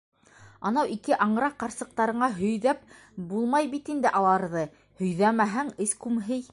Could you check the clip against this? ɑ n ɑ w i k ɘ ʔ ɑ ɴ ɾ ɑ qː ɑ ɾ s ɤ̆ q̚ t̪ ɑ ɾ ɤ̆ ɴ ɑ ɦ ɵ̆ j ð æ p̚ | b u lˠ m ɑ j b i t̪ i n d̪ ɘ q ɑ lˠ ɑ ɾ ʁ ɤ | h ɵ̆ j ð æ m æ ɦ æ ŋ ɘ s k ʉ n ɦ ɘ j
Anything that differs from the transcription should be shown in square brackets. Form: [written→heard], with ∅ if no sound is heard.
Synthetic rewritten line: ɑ n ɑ w i k ɘ ʔ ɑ ɴ ɾ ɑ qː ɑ ɾ s ɤ̆ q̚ t̪ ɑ ɾ ɤ̆ ɴ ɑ ɦ ɵ̆ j ð æ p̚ | b u lˠ m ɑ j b i t̪ i n d̪ ɘ [q→ʔ] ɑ lˠ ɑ ɾ [ʁ→ð] ɤ | h ɵ̆ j ð æ m æ ɦ æ ŋ ɘ s k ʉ [n→m] ɦ ɘ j